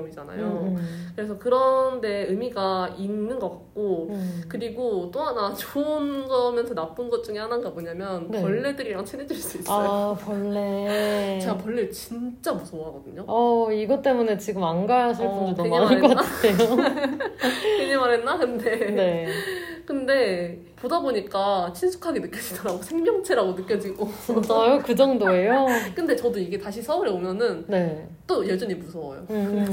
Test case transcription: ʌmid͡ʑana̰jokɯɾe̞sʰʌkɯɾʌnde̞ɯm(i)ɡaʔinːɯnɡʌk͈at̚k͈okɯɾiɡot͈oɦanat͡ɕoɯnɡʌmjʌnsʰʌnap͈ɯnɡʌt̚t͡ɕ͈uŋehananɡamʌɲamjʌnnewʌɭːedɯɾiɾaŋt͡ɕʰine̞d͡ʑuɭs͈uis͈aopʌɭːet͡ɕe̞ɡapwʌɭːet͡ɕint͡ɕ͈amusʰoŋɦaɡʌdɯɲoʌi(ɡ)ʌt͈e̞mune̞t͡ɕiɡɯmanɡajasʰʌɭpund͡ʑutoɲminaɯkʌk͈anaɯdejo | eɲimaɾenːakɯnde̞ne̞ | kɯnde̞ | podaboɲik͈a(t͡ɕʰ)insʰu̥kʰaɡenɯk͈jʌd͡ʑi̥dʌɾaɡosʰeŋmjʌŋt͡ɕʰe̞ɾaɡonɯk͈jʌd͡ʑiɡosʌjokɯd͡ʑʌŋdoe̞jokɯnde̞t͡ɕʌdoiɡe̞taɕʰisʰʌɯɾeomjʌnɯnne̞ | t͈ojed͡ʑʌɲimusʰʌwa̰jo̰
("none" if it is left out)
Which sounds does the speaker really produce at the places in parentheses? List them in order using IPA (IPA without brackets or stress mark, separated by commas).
i, ɡ, t͡ɕʰ